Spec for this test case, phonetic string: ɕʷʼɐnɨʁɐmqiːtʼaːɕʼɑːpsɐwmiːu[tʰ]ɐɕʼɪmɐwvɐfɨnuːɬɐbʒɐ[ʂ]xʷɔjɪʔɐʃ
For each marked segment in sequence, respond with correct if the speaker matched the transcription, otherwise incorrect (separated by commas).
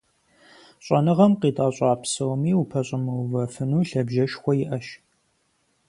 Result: incorrect, incorrect